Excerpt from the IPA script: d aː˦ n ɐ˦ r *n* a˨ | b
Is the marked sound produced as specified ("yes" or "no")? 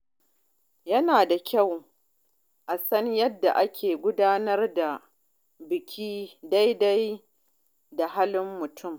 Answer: no